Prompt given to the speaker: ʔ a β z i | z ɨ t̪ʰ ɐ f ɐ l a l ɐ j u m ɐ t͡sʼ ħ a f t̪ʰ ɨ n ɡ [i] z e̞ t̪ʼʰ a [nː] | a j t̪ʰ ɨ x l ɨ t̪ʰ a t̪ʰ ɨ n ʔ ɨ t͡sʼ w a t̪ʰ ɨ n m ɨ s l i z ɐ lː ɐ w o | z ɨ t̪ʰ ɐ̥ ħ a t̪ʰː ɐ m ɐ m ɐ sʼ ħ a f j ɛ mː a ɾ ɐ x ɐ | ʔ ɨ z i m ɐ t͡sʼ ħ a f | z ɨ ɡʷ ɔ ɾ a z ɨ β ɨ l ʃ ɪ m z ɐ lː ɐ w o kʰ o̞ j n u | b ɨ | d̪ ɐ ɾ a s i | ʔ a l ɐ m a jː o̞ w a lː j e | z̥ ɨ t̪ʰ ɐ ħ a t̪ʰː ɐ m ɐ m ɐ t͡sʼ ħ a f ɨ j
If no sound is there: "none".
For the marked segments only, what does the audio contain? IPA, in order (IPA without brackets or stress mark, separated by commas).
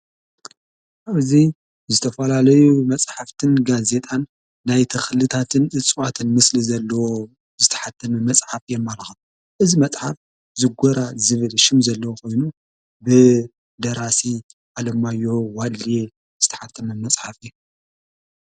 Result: a, nː